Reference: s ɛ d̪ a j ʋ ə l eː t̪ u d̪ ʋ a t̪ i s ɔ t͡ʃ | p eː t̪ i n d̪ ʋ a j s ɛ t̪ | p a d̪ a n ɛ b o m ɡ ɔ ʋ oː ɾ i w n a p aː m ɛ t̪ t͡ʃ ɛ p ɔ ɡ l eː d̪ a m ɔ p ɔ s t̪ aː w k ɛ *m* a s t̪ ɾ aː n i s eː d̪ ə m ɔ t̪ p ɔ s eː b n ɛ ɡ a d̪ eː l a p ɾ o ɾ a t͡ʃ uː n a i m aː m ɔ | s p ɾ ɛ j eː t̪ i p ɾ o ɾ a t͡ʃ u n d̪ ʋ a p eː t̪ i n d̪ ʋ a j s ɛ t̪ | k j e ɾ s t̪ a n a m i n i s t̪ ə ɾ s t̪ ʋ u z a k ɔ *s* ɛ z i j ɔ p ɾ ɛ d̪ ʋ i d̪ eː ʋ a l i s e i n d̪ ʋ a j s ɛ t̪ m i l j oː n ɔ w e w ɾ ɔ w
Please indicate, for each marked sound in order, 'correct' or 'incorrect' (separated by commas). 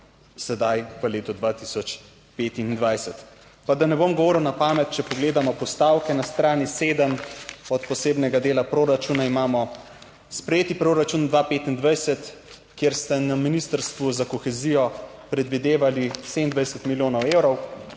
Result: incorrect, incorrect